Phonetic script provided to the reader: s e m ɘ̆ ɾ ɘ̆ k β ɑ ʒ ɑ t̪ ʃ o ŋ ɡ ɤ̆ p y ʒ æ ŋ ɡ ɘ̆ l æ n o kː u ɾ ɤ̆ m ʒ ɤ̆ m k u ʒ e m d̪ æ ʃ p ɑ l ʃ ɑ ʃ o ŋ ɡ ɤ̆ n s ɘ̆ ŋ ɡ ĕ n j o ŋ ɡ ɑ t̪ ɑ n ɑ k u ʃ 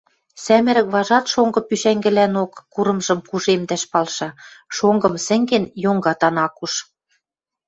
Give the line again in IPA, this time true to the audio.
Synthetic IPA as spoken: s æ m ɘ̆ ɾ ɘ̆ k β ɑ ʒ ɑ t̪ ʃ o ŋ ɡ ɤ̆ p y ʃ æ ŋ ɡ ɘ̆ l æ n o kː u ɾ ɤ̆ m ʒ ɤ̆ m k u ʒ e m d̪ æ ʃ p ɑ l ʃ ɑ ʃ o ŋ ɡ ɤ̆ m s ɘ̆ ŋ ɡ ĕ n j o ŋ ɡ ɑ t̪ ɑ n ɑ k u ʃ